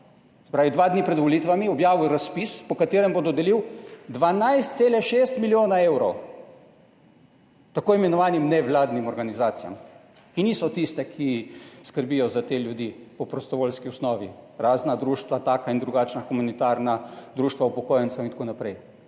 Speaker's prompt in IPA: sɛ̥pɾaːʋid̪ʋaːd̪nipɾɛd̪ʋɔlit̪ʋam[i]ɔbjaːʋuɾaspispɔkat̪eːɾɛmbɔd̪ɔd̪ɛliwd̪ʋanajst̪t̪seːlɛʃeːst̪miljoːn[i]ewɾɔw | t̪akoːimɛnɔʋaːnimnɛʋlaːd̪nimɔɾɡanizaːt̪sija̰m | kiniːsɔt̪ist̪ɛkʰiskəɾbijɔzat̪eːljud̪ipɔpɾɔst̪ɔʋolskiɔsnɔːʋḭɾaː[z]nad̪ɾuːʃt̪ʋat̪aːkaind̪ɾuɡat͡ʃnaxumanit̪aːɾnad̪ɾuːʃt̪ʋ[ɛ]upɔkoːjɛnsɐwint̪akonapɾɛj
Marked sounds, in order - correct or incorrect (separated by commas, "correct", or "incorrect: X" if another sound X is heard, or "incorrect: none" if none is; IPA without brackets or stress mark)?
correct, incorrect: a, correct, incorrect: a